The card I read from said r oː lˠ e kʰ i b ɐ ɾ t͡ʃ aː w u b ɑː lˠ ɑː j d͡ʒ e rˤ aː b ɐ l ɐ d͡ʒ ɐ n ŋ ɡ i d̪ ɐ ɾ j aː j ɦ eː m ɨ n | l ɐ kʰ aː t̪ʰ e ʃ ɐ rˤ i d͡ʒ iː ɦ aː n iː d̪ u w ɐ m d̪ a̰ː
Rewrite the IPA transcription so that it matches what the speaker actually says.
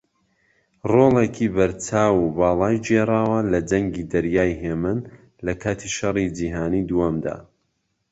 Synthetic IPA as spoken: r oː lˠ e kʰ i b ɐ ɾ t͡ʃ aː w u b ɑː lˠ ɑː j d͡ʒ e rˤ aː w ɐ l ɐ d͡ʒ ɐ ŋ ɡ i d̪ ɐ ɾ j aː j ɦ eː m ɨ n | l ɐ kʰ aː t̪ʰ i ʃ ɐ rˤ i d͡ʒ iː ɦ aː n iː d̪ u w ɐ m d̪ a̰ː